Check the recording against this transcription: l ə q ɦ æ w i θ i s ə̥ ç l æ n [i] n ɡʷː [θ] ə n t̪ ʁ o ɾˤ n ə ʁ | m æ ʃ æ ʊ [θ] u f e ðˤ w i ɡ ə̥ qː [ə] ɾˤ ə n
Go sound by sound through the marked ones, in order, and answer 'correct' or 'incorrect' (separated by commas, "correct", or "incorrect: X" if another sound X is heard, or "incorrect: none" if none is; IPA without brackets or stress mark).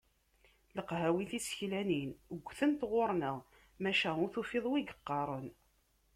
correct, correct, correct, incorrect: ɑ